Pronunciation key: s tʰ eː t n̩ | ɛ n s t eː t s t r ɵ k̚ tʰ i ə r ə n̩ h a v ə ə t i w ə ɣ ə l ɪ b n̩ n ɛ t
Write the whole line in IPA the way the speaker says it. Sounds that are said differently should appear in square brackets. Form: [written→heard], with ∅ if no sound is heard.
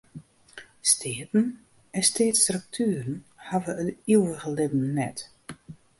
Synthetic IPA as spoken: s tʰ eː t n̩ | ɛ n s t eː t s t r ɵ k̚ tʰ [i→y] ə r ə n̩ h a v ə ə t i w ə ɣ ə l ɪ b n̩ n ɛ t